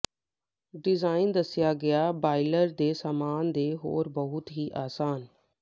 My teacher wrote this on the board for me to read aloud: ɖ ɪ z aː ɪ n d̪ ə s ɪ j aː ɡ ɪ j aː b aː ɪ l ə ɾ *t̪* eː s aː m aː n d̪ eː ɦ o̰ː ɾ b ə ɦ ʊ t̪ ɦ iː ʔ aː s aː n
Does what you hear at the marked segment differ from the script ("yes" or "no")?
yes